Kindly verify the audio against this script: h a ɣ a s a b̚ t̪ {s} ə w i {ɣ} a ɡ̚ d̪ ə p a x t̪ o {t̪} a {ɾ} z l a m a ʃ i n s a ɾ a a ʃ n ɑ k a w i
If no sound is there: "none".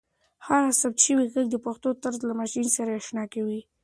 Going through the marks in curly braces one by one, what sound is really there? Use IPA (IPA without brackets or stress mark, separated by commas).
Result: ʃ, ɣ, t̪, ɾ